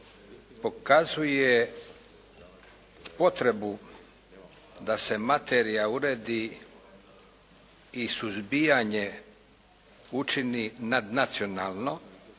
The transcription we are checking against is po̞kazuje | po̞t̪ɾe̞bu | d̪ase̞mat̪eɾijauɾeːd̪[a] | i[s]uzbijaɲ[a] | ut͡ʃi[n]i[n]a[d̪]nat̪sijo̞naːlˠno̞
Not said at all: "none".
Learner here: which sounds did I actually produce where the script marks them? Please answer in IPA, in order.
i, s, e, n, n, d̪

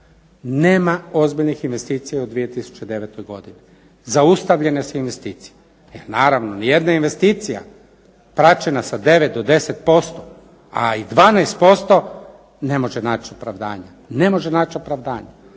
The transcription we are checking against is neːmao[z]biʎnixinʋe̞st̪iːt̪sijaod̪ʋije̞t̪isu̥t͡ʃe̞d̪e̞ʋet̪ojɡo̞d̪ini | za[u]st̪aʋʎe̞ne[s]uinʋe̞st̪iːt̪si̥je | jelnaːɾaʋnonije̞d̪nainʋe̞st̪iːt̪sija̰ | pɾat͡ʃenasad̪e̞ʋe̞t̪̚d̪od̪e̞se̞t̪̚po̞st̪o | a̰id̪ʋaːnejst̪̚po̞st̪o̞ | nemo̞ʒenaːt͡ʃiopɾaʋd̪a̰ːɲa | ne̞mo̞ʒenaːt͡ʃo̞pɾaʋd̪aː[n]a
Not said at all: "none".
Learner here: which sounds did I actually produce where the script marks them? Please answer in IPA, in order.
z, u, s, ɲ

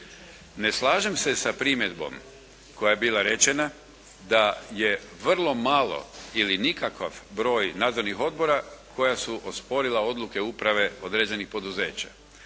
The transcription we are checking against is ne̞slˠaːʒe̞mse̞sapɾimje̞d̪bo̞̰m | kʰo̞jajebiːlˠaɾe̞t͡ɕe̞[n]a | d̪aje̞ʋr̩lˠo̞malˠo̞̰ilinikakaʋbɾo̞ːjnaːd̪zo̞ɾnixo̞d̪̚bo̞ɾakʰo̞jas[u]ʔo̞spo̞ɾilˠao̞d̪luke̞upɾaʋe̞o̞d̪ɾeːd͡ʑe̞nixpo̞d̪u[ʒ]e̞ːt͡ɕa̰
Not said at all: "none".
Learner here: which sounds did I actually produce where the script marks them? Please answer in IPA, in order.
n, u, z

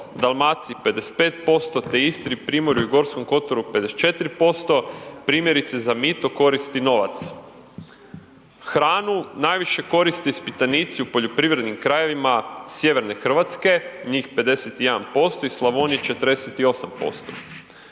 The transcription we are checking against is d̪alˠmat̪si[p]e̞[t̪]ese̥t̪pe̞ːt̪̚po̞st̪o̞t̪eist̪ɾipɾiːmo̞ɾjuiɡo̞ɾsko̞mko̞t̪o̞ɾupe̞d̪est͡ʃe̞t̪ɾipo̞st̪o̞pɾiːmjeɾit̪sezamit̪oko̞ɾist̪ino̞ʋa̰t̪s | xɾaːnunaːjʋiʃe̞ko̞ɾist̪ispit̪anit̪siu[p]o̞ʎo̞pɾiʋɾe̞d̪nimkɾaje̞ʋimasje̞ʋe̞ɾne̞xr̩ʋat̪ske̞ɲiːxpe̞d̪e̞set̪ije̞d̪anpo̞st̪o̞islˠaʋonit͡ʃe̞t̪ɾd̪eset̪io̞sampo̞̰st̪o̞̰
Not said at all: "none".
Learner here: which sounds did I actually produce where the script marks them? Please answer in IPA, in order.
p, d̪, p

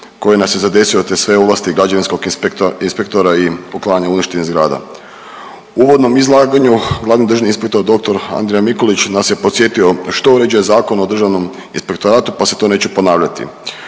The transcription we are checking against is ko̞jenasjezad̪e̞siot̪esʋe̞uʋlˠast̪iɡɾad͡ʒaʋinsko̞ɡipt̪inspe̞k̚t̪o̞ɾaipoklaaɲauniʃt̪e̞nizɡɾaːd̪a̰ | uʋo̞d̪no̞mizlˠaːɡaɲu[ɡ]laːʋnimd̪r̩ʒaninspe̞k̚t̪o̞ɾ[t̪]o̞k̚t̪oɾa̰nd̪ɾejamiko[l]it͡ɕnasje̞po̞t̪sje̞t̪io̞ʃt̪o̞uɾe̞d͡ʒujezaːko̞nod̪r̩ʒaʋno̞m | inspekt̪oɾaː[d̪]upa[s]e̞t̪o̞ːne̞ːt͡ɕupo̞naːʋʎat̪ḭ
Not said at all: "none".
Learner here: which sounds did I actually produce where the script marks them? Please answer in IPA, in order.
ɡ, d̪, l, t̪, s

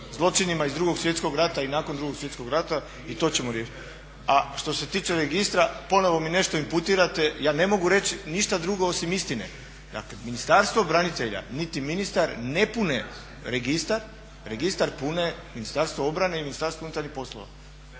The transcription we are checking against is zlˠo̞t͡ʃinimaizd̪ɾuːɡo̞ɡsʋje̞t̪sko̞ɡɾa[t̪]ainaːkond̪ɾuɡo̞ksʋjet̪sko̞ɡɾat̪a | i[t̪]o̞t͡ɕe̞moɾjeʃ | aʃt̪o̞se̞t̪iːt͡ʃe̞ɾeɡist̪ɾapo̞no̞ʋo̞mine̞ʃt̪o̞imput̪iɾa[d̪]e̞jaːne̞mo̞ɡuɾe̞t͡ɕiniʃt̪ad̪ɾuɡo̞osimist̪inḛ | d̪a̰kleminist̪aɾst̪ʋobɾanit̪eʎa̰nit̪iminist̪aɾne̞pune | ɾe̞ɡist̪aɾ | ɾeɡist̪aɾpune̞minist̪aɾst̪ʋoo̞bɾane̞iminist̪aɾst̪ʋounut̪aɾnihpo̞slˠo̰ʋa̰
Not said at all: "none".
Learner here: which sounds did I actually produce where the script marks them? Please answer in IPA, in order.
t̪, t̪, t̪

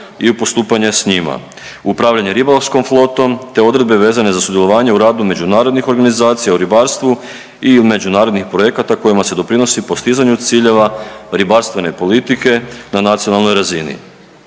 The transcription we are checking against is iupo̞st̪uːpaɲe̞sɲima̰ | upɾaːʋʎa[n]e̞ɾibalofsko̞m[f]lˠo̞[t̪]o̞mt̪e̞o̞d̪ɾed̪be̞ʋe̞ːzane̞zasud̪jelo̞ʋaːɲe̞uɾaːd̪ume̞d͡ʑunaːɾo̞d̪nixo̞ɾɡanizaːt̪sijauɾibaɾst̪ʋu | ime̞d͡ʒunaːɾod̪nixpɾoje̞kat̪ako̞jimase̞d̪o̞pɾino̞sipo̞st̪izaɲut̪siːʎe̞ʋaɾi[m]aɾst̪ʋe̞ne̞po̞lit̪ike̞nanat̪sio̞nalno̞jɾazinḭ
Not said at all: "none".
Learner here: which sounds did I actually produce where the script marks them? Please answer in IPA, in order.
ɲ, f, t̪, b

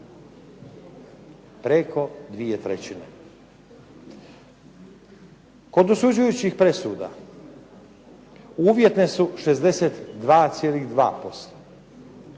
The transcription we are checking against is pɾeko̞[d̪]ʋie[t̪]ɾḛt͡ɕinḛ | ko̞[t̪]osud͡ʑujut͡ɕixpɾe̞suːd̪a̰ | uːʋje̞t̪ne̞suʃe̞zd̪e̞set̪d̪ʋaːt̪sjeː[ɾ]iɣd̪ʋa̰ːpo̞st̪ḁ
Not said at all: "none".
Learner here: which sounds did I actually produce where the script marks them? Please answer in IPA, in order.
d̪, t̪, d̪, l

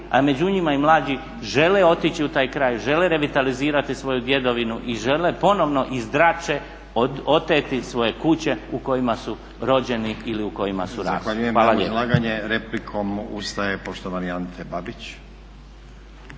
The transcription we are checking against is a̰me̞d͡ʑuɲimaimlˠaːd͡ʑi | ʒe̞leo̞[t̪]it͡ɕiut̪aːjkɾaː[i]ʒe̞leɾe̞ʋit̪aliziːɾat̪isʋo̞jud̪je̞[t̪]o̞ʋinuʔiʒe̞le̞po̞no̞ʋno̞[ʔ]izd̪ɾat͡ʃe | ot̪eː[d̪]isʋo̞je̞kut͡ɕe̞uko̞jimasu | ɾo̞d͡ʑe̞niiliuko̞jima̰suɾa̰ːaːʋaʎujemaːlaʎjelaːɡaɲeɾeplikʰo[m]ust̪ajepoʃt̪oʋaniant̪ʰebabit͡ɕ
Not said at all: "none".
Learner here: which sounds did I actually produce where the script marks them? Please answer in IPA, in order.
t̪, j, d̪, ʔ, t̪, m

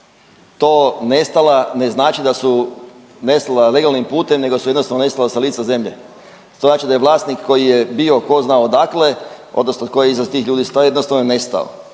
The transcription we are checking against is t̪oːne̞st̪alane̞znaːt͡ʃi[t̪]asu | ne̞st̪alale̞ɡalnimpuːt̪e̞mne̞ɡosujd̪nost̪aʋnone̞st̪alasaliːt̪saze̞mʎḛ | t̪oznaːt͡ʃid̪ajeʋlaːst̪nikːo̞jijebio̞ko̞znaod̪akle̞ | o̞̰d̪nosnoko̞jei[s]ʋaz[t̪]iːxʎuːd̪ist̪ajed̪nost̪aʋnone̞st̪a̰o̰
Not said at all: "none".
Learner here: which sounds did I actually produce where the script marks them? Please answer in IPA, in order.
d̪, z, t̪

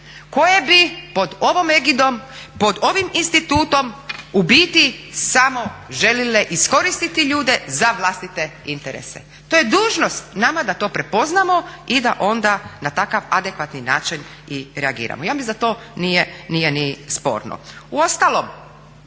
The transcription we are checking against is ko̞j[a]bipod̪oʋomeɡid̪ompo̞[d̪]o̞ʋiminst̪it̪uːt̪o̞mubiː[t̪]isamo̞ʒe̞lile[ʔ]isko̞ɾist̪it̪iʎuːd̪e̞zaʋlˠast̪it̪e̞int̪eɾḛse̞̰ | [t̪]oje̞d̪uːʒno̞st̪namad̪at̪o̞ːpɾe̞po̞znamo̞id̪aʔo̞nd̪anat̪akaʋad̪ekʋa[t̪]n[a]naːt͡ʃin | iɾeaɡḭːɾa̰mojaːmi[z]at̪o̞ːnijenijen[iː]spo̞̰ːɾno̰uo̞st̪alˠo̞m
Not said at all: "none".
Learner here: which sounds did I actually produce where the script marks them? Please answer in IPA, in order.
e, d̪, t̪, ʔ, t̪, t̪, i, z, i

